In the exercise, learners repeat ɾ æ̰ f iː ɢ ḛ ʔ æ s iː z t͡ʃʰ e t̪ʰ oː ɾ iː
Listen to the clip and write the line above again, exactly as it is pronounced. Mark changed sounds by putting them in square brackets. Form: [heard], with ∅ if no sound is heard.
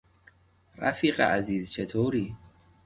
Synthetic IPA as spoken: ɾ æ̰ f iː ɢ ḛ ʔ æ [z] iː z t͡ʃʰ e t̪ʰ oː ɾ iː